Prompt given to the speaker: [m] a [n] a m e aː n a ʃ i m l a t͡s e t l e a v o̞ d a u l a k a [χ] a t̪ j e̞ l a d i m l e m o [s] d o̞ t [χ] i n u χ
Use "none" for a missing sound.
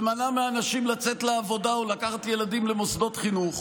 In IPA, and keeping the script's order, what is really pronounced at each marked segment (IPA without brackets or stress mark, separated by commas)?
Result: m, n, χ, s, χ